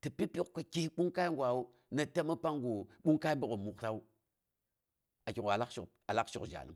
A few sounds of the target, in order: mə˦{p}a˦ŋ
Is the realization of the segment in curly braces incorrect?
no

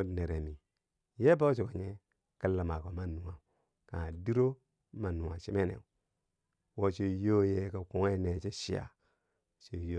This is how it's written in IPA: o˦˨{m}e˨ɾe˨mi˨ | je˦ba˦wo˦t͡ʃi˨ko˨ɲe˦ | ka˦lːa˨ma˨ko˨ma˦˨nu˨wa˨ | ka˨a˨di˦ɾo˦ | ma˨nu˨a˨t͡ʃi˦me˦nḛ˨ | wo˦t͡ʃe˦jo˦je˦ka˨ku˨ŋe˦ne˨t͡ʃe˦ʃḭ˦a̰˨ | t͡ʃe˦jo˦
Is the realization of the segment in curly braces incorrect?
yes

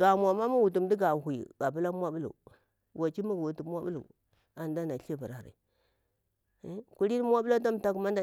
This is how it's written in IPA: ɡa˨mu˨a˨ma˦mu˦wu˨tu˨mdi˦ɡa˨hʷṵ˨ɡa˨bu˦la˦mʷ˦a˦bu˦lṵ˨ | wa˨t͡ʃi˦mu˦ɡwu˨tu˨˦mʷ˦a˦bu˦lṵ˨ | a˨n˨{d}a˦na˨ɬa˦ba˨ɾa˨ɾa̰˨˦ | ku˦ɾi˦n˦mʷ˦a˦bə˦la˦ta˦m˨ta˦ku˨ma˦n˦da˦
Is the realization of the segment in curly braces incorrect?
no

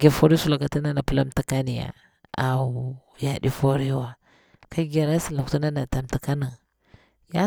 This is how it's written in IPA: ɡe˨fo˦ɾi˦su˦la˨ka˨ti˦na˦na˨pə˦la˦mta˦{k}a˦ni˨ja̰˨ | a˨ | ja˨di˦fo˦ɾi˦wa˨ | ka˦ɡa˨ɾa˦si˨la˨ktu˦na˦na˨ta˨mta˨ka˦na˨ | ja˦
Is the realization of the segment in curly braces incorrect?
no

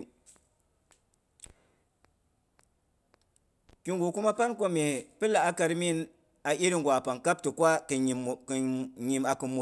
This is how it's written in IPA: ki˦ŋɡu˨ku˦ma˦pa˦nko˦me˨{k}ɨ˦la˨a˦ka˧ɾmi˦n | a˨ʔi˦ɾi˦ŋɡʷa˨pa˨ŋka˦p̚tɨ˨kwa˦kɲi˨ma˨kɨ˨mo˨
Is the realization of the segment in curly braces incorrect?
yes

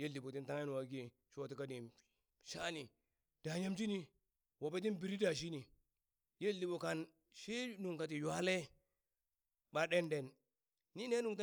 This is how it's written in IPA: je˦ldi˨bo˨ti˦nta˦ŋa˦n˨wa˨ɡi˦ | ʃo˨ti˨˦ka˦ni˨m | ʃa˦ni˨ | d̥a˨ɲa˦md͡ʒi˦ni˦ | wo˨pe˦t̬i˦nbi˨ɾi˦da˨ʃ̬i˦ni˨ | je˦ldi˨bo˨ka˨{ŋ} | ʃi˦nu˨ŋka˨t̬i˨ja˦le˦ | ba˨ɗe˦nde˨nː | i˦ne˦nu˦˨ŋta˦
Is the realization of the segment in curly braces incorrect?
yes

